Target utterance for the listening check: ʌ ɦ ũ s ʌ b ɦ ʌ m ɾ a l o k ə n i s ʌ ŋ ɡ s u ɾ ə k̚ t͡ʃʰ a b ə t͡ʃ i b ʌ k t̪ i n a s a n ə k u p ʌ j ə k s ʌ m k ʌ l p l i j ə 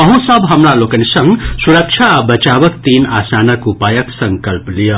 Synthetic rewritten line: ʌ ɦ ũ s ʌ b ɦ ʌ m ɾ a l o k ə n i s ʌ ŋ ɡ s u ɾ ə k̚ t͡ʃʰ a b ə t͡ʃ a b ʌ k t̪ i n a s a n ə k u p a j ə k s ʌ ŋ k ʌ l p l i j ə